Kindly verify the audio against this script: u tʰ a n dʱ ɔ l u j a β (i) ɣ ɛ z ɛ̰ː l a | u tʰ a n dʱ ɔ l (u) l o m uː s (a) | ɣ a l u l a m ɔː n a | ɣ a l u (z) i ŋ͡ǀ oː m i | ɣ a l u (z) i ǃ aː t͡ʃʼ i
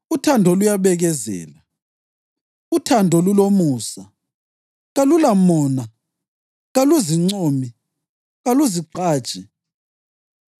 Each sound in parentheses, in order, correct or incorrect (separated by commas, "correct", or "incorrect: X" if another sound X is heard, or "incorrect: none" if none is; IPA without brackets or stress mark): incorrect: ɛ, correct, correct, correct, correct